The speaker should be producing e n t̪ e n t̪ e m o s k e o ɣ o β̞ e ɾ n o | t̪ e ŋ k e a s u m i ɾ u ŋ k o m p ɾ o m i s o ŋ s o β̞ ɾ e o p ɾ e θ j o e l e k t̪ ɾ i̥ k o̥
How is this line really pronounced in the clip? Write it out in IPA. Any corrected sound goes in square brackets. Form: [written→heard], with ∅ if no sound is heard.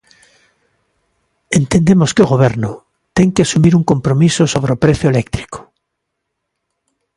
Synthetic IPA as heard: e n t̪ e n [t̪→d̪] e m o s k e o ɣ o β̞ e ɾ n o | t̪ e ŋ k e a s u m i ɾ u ŋ k o m p ɾ o m i s o [ŋ→∅] s o β̞ ɾ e o p ɾ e θ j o e l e k t̪ ɾ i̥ k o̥